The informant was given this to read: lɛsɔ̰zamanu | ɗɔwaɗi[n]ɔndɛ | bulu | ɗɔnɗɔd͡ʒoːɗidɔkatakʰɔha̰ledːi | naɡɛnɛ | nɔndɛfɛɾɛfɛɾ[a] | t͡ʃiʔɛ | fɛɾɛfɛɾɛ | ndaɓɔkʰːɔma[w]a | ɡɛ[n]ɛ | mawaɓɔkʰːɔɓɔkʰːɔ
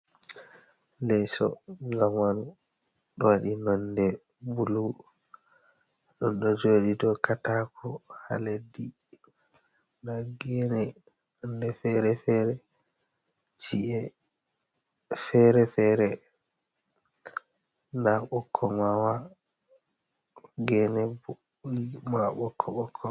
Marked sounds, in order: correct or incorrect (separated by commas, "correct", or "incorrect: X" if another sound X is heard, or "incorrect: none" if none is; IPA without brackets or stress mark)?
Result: correct, incorrect: ɛ, correct, correct